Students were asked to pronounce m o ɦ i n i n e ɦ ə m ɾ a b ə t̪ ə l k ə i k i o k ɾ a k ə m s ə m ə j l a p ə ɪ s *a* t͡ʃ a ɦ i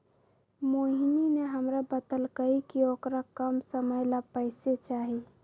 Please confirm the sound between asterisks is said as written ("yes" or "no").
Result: no